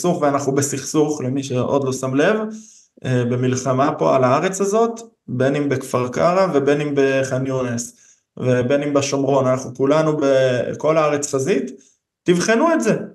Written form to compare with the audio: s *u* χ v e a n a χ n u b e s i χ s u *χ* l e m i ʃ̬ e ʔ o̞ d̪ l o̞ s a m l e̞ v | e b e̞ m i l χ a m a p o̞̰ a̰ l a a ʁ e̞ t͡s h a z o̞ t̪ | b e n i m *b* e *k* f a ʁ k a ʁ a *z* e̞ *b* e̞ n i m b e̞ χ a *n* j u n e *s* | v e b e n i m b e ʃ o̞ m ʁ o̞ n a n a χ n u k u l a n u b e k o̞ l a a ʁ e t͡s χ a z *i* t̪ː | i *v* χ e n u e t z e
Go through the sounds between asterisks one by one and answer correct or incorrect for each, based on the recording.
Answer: correct, correct, correct, correct, incorrect, correct, correct, correct, correct, correct

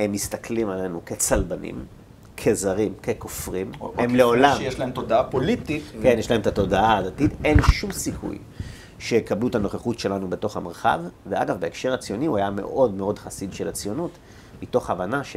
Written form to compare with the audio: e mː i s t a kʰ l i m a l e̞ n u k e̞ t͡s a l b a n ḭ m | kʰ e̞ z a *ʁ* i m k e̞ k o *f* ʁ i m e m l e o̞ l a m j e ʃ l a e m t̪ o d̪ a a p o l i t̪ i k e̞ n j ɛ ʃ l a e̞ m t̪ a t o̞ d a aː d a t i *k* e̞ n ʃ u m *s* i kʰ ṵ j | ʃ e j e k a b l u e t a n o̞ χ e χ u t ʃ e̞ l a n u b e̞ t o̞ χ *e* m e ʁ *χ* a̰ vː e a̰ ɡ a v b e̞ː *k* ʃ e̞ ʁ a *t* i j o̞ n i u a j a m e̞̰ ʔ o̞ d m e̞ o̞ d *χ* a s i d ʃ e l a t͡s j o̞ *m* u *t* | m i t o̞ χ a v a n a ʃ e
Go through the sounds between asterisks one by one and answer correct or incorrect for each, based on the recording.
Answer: correct, correct, incorrect, correct, incorrect, correct, correct, incorrect, correct, incorrect, correct

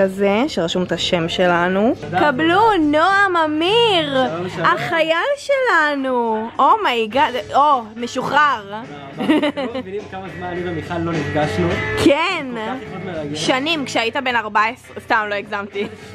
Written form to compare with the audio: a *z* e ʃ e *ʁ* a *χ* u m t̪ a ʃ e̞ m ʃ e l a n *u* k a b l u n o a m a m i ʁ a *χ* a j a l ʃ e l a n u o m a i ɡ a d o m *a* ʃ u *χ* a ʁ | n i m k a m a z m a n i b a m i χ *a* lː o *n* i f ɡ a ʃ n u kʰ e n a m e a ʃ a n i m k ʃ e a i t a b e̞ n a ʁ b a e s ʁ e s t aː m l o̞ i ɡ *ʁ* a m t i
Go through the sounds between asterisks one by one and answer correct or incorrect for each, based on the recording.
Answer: correct, correct, incorrect, correct, correct, incorrect, correct, correct, correct, incorrect

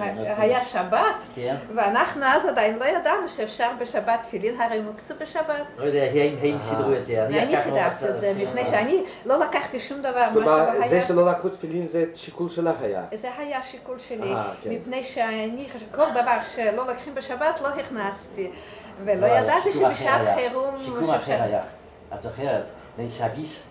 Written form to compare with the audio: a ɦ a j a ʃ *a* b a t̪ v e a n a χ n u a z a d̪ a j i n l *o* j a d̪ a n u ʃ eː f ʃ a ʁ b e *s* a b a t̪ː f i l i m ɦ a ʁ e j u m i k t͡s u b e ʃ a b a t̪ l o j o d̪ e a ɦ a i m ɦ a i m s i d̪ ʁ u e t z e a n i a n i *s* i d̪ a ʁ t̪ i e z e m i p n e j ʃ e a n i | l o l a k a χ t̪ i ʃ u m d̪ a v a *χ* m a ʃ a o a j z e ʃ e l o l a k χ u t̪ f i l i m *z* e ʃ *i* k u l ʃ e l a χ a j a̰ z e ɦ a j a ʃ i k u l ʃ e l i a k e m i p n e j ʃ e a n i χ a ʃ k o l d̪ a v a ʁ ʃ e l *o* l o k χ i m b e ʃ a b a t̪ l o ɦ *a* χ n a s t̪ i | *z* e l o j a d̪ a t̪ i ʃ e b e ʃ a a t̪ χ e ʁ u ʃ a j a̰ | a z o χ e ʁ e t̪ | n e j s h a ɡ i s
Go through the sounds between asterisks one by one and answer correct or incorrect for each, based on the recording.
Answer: correct, correct, incorrect, correct, incorrect, correct, correct, correct, incorrect, incorrect

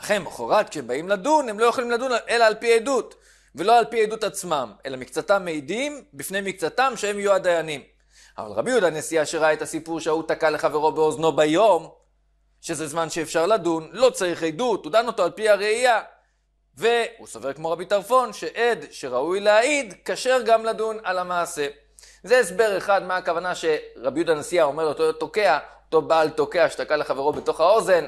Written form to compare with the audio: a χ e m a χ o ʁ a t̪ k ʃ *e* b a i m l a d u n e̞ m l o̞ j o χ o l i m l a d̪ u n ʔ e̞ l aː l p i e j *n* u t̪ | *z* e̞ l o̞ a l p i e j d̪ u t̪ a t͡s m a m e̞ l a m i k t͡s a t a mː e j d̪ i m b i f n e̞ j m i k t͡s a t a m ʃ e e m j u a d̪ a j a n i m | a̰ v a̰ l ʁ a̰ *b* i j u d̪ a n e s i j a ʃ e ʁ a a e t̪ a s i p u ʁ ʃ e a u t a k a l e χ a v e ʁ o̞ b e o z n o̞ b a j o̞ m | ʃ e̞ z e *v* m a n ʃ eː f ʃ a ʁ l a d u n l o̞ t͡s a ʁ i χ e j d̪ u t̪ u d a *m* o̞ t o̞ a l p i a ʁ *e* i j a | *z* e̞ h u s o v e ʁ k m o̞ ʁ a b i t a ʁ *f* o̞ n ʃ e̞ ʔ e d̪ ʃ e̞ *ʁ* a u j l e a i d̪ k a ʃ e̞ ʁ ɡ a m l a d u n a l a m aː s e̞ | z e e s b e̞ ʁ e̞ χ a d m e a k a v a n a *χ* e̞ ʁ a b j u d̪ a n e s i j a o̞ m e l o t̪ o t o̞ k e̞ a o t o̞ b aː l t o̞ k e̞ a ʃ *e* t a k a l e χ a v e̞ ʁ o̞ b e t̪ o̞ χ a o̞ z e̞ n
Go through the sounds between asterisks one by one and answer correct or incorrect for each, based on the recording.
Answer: correct, incorrect, incorrect, correct, incorrect, incorrect, correct, incorrect, correct, correct, incorrect, correct

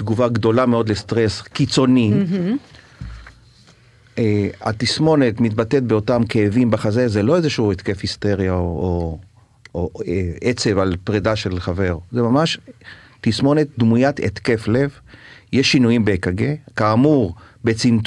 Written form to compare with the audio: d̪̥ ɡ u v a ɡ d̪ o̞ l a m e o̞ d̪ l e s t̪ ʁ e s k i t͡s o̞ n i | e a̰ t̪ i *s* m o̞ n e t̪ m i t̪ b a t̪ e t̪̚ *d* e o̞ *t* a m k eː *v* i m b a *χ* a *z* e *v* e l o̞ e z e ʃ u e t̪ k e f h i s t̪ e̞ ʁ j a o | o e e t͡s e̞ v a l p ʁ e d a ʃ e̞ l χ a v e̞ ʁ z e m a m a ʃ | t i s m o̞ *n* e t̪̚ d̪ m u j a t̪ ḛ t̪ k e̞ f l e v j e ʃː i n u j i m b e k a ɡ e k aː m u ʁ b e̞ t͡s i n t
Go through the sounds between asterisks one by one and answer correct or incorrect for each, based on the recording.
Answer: correct, incorrect, correct, correct, correct, correct, incorrect, correct

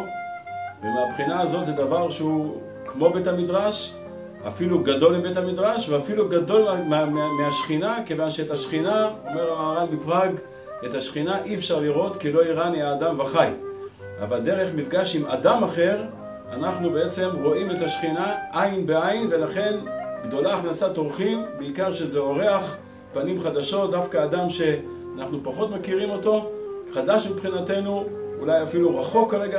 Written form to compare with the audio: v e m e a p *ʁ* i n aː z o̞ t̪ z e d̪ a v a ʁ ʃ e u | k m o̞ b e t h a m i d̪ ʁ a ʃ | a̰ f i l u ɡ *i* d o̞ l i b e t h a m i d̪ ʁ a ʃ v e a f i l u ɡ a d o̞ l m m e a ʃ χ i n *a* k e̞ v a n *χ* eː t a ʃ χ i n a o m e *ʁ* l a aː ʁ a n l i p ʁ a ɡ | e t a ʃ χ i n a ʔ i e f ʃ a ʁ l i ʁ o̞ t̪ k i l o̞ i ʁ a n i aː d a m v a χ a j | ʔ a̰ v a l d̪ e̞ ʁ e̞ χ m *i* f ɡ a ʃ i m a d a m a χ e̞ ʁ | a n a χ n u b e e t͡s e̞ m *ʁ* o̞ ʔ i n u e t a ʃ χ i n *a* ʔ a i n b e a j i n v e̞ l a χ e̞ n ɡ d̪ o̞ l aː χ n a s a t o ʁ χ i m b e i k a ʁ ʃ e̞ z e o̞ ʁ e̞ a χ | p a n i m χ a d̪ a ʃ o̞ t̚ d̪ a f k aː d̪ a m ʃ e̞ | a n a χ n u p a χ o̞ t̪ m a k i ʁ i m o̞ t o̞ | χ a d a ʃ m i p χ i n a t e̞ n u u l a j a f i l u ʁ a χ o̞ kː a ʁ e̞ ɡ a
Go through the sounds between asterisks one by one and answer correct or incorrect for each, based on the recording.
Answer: incorrect, incorrect, correct, incorrect, correct, correct, correct, correct

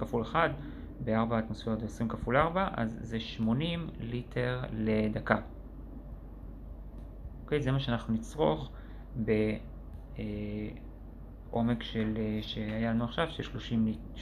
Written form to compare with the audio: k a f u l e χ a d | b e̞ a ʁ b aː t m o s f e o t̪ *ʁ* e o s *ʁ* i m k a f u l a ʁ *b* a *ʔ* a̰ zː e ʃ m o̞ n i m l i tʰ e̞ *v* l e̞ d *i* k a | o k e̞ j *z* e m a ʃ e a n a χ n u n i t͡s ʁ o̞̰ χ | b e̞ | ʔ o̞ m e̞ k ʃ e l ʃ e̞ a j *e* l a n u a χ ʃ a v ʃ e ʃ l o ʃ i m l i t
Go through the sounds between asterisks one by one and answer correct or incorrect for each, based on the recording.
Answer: incorrect, correct, correct, correct, incorrect, incorrect, correct, incorrect

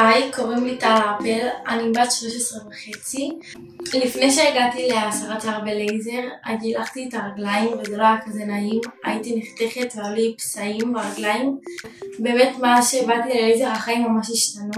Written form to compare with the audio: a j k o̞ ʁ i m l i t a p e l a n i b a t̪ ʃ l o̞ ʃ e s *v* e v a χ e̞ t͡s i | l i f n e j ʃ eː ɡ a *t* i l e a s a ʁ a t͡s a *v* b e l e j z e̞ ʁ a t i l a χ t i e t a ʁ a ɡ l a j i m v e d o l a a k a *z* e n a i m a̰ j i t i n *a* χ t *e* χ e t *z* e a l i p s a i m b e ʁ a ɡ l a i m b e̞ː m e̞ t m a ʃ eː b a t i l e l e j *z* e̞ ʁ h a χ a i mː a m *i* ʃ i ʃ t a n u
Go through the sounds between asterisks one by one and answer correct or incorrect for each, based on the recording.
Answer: incorrect, correct, incorrect, correct, incorrect, correct, incorrect, correct, incorrect

